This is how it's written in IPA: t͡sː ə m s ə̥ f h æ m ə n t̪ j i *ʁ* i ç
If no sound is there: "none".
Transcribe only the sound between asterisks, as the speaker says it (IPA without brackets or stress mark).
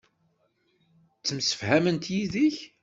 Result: ð